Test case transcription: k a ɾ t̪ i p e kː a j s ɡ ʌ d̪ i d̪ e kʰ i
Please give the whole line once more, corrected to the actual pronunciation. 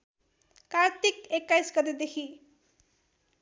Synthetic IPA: k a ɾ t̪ i k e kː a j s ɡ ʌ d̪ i d̪ e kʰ i